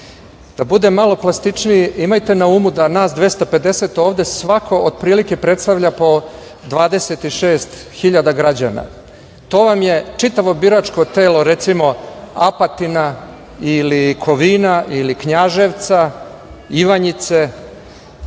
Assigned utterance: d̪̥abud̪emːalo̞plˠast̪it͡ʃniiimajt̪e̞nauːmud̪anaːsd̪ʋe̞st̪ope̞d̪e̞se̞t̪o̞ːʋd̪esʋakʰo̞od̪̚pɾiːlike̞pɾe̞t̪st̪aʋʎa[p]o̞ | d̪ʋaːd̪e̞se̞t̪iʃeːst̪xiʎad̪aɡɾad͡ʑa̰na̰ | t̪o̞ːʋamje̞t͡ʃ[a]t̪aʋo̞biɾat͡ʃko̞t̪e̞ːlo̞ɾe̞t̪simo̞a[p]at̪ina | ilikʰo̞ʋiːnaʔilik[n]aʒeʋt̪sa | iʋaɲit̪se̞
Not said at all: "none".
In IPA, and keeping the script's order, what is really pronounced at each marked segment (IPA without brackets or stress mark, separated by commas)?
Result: p, i, p, ɲ